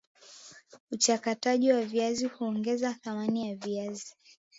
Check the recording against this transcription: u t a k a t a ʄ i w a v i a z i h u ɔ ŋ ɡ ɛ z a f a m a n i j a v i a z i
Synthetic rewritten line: u t͡ʃ a k a t a ʄ i w a v i a z i h u ɔ ŋ ɡ ɛ z a θ a m a n i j a v i a z i